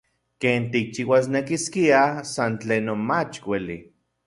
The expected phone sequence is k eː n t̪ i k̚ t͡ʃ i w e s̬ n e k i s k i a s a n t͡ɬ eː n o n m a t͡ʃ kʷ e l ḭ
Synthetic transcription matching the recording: k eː n t̪ i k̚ t͡ʃ i w a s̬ n e k i s k i a s a n t͡ɬ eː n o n m a t͡ʃ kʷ e l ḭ